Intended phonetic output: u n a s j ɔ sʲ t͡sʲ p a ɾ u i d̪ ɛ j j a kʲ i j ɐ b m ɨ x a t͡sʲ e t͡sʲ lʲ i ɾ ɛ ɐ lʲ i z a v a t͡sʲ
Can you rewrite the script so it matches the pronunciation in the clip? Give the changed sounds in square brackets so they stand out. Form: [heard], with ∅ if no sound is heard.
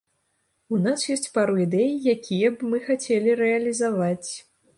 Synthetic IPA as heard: u n a s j ɔ sʲ t͡sʲ p a ɾ u i d̪ ɛ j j a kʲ i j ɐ b m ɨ x a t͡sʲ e [∅] lʲ i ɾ ɛ ɐ lʲ i z a v a t͡sʲ